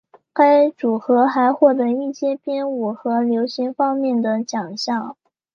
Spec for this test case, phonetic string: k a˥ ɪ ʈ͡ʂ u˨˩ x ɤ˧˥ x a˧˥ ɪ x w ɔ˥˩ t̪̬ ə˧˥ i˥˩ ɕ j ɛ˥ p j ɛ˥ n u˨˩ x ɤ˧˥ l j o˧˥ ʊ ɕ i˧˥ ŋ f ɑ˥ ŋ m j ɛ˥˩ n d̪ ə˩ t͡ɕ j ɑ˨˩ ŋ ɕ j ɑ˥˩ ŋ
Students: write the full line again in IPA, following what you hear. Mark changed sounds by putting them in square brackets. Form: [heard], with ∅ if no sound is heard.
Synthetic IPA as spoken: k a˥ ɪ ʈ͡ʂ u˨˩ x ɤ˧˥ x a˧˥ ɪ x w ɔ˥˩ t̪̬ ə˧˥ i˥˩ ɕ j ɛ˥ p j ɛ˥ n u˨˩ x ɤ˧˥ l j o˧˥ ʊ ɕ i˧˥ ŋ f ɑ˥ ŋ m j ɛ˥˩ n d̪ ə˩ t͡ɕ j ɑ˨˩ ŋ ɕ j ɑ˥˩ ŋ